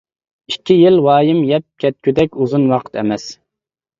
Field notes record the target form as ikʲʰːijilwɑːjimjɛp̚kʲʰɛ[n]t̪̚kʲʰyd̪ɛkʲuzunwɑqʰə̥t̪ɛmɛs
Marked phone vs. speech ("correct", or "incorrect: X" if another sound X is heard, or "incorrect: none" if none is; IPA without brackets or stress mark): incorrect: none